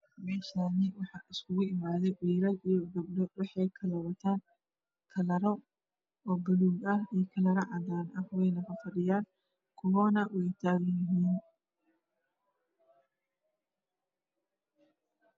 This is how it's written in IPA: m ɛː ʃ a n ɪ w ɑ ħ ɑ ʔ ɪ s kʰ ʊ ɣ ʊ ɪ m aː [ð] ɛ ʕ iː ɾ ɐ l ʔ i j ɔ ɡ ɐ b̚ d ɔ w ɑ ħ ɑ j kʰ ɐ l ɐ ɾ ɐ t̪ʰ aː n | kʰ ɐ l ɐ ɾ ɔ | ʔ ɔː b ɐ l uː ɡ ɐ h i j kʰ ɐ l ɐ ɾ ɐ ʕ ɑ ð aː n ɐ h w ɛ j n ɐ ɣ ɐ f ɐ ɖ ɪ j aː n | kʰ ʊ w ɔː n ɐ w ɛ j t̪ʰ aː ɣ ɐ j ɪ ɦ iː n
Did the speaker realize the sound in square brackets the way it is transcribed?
yes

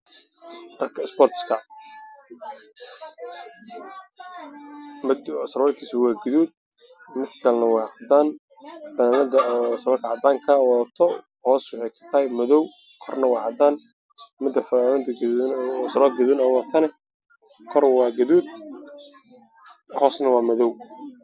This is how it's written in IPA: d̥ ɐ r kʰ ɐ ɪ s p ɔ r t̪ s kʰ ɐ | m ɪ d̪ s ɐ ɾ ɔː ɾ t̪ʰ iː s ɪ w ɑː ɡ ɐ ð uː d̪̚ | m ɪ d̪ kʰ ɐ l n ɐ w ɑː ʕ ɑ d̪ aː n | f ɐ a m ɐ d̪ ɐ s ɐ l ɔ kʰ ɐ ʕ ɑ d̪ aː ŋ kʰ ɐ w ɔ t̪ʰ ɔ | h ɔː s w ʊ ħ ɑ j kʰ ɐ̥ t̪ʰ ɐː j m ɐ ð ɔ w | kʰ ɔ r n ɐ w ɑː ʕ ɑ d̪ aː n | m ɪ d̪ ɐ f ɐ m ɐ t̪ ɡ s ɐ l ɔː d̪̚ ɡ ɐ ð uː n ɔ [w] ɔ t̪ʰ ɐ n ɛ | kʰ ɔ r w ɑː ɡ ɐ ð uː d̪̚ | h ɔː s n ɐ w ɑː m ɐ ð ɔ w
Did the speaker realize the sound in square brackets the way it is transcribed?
yes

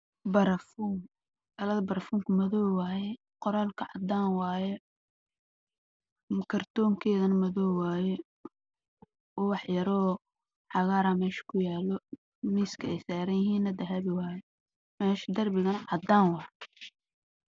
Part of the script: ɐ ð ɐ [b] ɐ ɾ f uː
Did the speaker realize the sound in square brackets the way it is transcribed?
yes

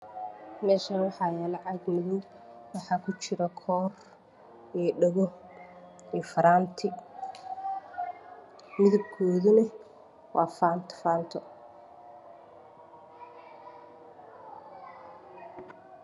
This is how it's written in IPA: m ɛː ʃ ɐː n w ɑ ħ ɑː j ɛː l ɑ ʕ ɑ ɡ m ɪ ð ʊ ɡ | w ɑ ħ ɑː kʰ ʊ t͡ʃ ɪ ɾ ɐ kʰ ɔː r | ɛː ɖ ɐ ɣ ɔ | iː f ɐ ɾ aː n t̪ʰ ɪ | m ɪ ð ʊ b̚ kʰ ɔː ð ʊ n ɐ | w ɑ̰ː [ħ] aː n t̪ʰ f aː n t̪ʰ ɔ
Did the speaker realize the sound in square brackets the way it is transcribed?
no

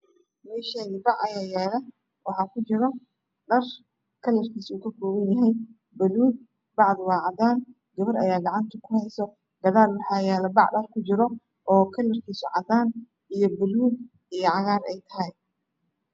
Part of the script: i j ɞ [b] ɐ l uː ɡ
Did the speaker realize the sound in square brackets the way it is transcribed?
yes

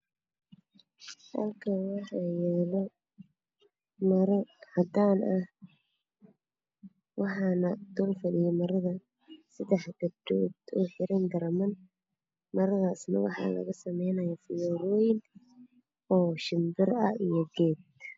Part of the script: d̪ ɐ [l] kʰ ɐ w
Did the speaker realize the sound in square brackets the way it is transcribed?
yes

